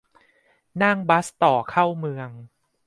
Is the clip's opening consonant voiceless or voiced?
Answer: voiced